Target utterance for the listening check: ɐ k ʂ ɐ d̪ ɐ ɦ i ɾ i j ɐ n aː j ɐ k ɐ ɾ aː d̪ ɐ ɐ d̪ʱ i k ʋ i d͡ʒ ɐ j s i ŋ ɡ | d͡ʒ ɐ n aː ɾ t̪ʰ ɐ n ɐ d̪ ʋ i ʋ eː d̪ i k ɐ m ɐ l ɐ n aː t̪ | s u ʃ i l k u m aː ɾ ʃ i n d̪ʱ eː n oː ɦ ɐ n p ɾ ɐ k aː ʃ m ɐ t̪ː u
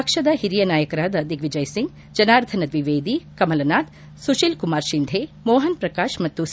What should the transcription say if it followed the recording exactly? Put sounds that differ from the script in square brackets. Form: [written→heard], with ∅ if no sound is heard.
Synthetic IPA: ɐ k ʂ ɐ d̪ ɐ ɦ i ɾ i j ɐ n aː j ɐ k ɐ ɾ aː d̪ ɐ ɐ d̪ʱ i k ʋ i d͡ʒ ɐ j s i ŋ ɡ | d͡ʒ ɐ n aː ɾ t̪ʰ ɐ n ɐ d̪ ʋ i ʋ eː d̪ i k ɐ m ɐ l ɐ n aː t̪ | s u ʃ i l k u m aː ɾ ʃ i n d̪ʱ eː [n→m] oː ɦ ɐ n p ɾ ɐ k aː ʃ m ɐ t̪ː u